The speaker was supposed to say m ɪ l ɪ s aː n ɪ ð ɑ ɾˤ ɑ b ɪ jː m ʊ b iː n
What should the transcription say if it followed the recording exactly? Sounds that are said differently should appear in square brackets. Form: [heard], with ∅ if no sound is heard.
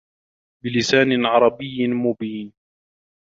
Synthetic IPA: [b] ɪ l ɪ s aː n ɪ [ʕ] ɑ ɾˤ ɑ b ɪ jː m ʊ b iː n